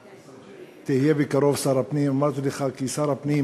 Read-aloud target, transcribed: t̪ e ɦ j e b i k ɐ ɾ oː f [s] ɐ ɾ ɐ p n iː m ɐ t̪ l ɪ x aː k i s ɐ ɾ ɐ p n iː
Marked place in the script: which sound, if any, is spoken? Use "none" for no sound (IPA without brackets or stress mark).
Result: s